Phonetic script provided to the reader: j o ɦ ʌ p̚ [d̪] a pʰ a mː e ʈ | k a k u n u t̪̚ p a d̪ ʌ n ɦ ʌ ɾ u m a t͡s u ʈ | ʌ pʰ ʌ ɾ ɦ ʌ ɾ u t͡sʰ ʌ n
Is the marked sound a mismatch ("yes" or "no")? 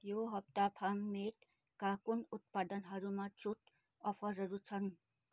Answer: yes